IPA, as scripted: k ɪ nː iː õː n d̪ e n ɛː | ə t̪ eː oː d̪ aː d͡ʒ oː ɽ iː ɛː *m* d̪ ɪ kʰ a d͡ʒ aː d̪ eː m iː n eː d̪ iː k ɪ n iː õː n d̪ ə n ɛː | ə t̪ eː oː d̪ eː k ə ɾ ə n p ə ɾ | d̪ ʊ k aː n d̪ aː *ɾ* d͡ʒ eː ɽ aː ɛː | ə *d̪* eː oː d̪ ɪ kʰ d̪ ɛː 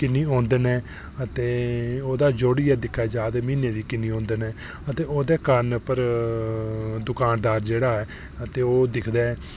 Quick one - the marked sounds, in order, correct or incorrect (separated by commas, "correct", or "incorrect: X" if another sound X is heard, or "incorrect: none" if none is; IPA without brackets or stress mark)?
incorrect: none, correct, incorrect: t̪